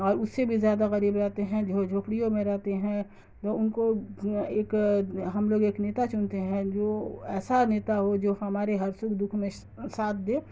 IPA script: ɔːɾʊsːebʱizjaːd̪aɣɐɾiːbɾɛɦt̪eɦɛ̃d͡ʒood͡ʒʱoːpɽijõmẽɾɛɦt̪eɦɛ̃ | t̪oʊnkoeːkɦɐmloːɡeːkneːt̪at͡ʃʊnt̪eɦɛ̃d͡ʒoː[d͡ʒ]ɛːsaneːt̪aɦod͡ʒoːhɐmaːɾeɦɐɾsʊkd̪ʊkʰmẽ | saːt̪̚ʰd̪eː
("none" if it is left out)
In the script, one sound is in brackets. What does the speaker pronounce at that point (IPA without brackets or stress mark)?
none